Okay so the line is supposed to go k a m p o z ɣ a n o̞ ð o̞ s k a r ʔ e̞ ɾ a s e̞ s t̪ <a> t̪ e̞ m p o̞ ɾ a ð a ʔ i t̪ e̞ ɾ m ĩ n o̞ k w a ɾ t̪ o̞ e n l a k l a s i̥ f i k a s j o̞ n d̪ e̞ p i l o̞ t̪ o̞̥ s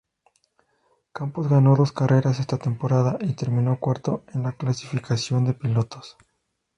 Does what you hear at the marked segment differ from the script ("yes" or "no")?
no